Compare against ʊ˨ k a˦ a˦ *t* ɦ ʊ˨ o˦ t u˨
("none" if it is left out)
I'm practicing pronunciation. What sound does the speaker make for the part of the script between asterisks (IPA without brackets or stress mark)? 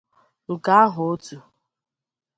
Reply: none